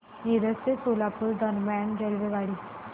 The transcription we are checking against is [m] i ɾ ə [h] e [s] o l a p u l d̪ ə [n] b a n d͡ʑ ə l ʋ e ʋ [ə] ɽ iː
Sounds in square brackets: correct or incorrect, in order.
incorrect: n, incorrect: s, correct, correct, incorrect: a

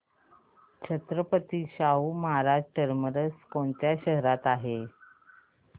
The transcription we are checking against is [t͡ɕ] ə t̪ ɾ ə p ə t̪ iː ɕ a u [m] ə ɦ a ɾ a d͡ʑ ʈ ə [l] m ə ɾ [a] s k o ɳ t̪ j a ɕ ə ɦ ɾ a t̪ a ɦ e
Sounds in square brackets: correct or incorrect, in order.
incorrect: t͡ɕʰ, correct, incorrect: ɾ, incorrect: ə

